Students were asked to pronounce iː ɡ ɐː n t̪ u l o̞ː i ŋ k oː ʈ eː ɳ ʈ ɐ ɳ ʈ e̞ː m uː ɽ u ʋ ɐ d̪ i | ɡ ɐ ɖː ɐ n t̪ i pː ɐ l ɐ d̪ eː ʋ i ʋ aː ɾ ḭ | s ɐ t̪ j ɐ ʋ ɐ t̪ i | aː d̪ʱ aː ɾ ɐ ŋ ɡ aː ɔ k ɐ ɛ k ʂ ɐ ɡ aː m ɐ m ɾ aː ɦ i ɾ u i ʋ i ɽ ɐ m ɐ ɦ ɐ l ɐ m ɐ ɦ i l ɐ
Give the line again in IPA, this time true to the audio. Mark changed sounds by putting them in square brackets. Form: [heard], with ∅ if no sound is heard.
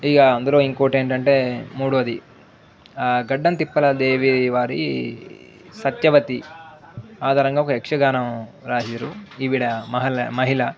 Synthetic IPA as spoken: iː ɡ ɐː n [d̪] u l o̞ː i ŋ k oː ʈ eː ɳ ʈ ɐ ɳ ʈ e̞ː m uː ɽ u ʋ ɐ d̪ i | ɡ ɐ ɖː ɐ n t̪ i pː ɐ l ɐ d̪ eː ʋ i ʋ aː ɾ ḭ | s ɐ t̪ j ɐ ʋ ɐ t̪ i | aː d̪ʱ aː ɾ ɐ ŋ ɡ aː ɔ k ɐ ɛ k ʂ ɐ ɡ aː [n] ɐ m ɾ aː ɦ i ɾ u i ʋ i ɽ ɐ m ɐ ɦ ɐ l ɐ m ɐ ɦ i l ɐ

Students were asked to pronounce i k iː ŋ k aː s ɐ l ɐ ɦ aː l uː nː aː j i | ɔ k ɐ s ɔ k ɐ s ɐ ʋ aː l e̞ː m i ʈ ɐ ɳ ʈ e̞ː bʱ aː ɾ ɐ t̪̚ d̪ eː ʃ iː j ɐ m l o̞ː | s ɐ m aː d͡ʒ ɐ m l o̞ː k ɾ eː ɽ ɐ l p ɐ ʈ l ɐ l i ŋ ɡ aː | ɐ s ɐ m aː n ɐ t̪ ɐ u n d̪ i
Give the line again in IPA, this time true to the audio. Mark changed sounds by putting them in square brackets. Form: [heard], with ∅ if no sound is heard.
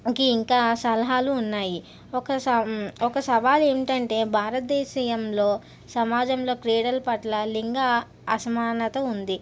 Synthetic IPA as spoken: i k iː ŋ k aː s ɐ l ɐ ɦ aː l uː nː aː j i | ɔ k ɐ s ɔ k ɐ s ɐ ʋ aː l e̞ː m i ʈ ɐ ɳ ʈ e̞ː bʱ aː ɾ ɐ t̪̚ d̪ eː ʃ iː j ɐ m l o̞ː | s ɐ m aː d͡ʒ ɐ m l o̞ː k ɾ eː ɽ ɐ l p ɐ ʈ l ɐ l i ŋ ɡ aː | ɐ s ɐ m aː n ɐ t̪ ɐ u n d̪ i

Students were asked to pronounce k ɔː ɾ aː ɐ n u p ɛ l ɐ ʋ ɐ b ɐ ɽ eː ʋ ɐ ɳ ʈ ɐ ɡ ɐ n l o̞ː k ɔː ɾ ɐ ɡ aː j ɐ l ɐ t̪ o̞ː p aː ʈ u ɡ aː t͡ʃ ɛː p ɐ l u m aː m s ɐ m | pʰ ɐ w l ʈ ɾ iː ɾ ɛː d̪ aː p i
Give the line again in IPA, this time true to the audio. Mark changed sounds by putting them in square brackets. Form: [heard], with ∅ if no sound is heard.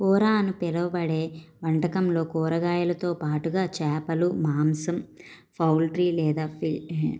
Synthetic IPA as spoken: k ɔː ɾ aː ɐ n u p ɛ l ɐ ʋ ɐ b ɐ ɽ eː ʋ ɐ ɳ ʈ ɐ [k] ɐ [m] l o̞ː k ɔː ɾ ɐ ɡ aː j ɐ l ɐ t̪ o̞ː p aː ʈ u ɡ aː t͡ʃ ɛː p ɐ l u m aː m s ɐ m | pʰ ɐ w l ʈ ɾ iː [l] ɛː d̪ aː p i

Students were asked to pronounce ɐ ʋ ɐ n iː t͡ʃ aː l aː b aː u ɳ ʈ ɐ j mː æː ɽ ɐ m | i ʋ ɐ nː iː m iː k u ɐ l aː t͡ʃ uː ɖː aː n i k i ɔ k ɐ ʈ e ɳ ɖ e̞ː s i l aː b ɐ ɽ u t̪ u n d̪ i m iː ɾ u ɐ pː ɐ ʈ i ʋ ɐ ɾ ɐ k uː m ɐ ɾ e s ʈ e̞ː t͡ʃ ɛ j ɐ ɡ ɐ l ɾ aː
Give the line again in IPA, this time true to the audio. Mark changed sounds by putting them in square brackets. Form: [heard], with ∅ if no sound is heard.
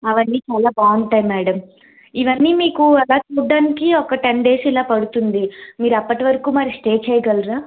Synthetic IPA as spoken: ɐ ʋ ɐ [nː] iː t͡ʃ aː l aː b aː u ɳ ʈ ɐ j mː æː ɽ ɐ m | i ʋ ɐ nː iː m iː k u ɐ l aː t͡ʃ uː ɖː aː n i k i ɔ k ɐ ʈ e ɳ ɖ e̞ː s i l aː [p] ɐ ɽ u t̪ u n d̪ i m iː ɾ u ɐ pː ɐ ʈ i ʋ ɐ ɾ ɐ k uː m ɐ ɾ [i] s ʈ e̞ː t͡ʃ ɛ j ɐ ɡ ɐ l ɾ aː

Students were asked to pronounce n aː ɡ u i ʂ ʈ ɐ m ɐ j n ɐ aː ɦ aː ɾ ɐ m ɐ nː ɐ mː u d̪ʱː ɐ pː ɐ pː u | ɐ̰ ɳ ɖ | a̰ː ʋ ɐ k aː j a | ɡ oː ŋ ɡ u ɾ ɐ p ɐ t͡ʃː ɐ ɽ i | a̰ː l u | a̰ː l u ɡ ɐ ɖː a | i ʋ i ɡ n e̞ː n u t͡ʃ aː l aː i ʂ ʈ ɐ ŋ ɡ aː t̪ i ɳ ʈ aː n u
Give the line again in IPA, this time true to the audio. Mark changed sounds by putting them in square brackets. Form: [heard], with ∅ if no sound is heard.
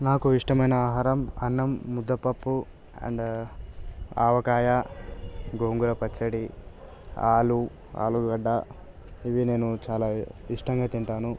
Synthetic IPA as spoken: n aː [k] u i ʂ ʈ ɐ m ɐ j n ɐ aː ɦ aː ɾ ɐ m ɐ nː ɐ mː u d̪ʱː ɐ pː ɐ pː u | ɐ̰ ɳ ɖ | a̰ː ʋ ɐ k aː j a | ɡ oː ŋ ɡ u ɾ ɐ p ɐ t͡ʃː ɐ ɽ i | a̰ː l u | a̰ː l u ɡ ɐ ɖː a | i ʋ i [∅] n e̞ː n u t͡ʃ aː l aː i ʂ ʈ ɐ ŋ ɡ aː t̪ i ɳ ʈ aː n u

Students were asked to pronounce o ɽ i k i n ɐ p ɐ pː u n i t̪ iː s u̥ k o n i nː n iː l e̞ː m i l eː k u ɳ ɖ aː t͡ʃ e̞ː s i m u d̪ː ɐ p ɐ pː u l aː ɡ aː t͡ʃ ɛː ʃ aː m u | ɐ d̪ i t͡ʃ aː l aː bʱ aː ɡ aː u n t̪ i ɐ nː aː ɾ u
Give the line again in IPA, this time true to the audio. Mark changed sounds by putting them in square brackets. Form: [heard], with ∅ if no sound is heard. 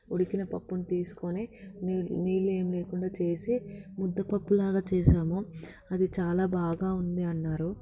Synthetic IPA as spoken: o ɽ i k i n ɐ p ɐ pː u n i t̪ iː s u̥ k o n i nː n iː l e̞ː m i l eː k u ɳ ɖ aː t͡ʃ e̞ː s i m u d̪ː ɐ p ɐ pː u l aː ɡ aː t͡ʃ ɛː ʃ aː m u | ɐ d̪ i t͡ʃ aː l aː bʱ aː ɡ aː u n [d̪] i ɐ nː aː ɾ u

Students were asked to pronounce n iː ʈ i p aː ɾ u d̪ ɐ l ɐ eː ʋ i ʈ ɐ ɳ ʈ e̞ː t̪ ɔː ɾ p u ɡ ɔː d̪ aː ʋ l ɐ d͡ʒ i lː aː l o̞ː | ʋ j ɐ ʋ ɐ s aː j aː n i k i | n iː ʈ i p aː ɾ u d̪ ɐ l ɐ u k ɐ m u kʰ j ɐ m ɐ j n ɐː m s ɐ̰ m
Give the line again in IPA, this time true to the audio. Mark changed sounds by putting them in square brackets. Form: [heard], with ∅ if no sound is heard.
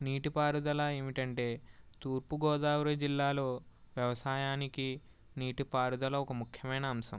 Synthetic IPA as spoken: n iː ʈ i p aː ɾ u d̪ ɐ l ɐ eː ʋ i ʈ ɐ ɳ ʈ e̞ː t̪ [uː] ɾ p u ɡ ɔː d̪ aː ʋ [ɾ] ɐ d͡ʒ i lː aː l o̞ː | ʋ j ɐ ʋ ɐ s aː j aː n i k i | n iː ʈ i p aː ɾ u d̪ ɐ l ɐ [ɔ] k ɐ m u kʰ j ɐ m ɐ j n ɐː m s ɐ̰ m

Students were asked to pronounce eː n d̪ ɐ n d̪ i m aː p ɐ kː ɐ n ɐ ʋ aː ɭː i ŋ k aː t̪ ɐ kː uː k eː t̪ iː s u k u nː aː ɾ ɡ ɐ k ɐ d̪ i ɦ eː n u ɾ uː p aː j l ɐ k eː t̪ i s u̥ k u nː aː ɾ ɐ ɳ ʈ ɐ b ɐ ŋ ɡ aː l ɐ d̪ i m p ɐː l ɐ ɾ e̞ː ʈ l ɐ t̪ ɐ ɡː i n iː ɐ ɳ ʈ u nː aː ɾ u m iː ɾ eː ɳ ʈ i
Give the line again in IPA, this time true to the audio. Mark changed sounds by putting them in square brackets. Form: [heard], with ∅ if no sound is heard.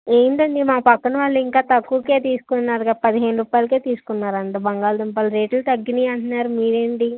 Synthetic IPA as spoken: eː n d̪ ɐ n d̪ i m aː p ɐ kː ɐ n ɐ ʋ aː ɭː i ŋ k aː t̪ ɐ kː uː k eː t̪ iː s u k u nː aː ɾ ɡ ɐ [p] ɐ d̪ i ɦ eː n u ɾ uː p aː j l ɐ k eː t̪ [iː] s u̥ k u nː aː ɾ ɐ ɳ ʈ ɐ b ɐ ŋ ɡ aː l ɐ d̪ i m p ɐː l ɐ ɾ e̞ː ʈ l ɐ t̪ ɐ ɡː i n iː ɐ ɳ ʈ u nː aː ɾ u m iː ɾ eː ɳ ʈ i

